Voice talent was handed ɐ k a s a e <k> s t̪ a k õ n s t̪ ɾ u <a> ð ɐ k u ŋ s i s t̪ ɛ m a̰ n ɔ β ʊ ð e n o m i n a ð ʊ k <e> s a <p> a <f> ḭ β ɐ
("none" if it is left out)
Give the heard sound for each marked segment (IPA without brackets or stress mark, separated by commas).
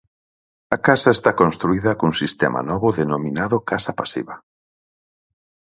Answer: none, i, a, p, s